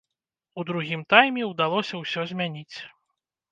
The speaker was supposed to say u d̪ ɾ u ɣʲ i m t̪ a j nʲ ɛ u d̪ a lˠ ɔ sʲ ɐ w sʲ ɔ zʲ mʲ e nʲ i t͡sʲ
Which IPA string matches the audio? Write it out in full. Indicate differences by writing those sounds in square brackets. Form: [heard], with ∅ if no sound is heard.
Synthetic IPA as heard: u d̪ ɾ u ɣʲ i m t̪ a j [mʲ] ɛ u d̪ a lˠ ɔ sʲ ɐ w sʲ ɔ zʲ mʲ [a] nʲ i t͡sʲ

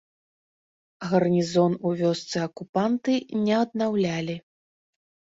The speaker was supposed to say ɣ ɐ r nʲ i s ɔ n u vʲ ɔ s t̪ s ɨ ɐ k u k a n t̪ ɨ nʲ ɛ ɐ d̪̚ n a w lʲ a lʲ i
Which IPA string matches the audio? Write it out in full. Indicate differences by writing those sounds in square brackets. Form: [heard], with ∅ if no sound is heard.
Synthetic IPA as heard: ɣ ɐ r nʲ i [z] ɔ n u vʲ ɔ s t̪ s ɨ ɐ k u [p] a n t̪ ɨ nʲ ɛ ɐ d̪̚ n a w lʲ a lʲ i

